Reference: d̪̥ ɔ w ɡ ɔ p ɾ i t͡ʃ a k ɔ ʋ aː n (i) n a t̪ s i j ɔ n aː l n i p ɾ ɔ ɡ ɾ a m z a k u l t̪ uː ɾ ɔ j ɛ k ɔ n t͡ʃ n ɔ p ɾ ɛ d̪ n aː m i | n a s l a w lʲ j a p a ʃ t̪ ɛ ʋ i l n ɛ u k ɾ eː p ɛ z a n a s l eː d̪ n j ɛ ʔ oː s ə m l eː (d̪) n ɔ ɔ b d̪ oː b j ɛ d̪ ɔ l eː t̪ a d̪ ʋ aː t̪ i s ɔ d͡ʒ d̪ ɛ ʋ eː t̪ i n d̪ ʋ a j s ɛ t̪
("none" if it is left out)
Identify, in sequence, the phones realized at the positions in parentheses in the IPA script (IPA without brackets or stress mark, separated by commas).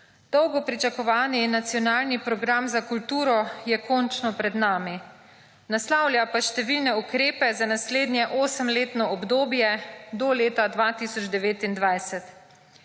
i, t̪